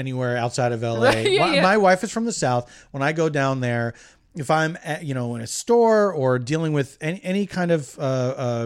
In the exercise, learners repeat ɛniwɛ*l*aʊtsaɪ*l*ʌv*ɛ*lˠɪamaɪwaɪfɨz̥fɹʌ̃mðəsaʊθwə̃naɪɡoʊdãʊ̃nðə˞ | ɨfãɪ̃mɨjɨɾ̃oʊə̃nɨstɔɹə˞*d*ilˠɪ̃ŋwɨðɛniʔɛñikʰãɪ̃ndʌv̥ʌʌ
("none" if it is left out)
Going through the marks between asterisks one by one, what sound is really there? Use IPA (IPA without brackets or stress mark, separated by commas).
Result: ɹ, ɾ, ɛ, d